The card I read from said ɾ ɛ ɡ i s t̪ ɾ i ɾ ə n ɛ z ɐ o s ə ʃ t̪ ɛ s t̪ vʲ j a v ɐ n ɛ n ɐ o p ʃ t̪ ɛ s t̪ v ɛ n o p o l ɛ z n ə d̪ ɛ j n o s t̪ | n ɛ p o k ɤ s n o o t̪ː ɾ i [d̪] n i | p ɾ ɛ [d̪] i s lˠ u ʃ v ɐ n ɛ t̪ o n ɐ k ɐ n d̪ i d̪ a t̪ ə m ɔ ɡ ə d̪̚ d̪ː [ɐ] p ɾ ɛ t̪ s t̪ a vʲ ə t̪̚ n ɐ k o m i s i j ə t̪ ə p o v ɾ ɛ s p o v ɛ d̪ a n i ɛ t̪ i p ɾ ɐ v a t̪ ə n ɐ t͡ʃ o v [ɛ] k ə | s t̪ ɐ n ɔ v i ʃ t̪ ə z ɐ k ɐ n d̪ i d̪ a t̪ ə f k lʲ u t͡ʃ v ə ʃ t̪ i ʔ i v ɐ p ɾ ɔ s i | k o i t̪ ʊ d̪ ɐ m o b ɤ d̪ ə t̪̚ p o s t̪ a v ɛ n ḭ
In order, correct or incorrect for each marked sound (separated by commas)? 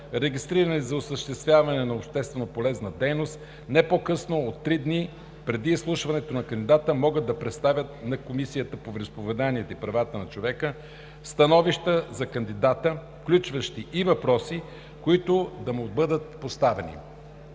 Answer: correct, correct, correct, correct